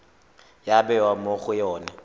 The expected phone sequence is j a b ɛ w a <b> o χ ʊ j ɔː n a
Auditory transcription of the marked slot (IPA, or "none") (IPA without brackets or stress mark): m